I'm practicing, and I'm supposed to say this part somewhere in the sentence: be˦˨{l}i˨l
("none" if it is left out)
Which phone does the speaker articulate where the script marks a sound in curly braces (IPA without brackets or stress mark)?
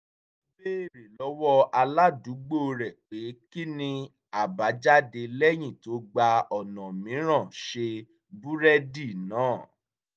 ɾ